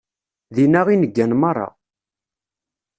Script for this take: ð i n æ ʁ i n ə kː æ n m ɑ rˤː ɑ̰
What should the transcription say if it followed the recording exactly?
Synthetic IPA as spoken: ð i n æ ʁ i n ə ɡː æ n m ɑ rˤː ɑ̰